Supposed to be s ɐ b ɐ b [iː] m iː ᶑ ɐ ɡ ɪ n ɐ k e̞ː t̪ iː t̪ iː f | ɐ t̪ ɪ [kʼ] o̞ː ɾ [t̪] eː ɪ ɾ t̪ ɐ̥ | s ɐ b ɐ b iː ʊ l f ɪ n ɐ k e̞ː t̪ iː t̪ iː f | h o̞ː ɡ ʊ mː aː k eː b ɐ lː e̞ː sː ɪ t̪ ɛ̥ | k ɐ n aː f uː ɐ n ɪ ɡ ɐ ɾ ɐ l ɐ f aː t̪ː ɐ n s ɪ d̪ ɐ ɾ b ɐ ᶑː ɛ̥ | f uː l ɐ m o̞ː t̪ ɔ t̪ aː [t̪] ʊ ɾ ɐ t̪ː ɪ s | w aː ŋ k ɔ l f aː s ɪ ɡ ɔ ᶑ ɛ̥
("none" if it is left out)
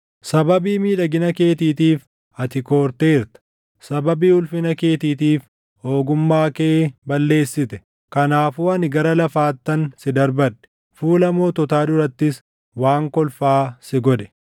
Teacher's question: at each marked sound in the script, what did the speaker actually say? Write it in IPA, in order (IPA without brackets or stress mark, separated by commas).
iː, k, t̪, d̪